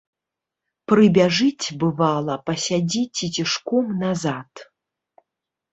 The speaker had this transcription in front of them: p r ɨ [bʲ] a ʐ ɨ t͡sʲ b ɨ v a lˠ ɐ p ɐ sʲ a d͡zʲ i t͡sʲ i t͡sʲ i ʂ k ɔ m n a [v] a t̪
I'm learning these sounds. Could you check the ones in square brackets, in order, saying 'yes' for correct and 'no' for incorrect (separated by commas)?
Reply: yes, no